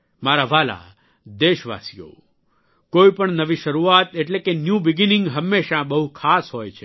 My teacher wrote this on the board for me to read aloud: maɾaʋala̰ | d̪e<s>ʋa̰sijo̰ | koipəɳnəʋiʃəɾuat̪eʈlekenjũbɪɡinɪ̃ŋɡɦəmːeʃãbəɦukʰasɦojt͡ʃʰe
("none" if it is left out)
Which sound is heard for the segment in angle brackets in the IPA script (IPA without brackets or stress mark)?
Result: ʃ